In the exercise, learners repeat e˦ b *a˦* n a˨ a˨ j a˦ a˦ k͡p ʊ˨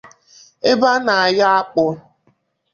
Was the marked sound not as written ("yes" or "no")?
no